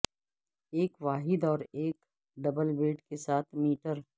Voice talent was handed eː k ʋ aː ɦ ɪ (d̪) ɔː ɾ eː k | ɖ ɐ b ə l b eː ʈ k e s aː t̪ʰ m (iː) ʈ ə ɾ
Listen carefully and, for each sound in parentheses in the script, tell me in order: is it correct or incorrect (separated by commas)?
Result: correct, correct